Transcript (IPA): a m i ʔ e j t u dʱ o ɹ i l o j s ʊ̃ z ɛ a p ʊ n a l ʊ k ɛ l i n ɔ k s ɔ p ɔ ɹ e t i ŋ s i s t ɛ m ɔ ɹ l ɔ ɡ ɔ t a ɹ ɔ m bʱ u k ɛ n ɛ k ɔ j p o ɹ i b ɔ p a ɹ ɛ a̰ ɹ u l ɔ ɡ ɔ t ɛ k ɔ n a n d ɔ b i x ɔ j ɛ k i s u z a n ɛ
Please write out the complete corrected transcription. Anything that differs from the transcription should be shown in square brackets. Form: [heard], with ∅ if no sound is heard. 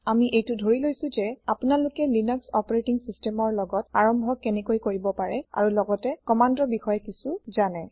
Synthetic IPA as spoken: a m i ʔ e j t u dʱ o ɹ i l o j s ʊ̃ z ɛ a p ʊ n a l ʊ k ɛ l i n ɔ k s ɔ p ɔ ɹ e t i ŋ s i s t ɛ m ɔ ɹ l ɔ ɡ ɔ t a ɹ ɔ m bʱ [ɔ] k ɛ n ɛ k [o] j [k] o ɹ i b ɔ p a ɹ ɛ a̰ ɹ u l ɔ ɡ ɔ t ɛ k ɔ [m] a n d ɔ b i x ɔ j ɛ k i s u z a n ɛ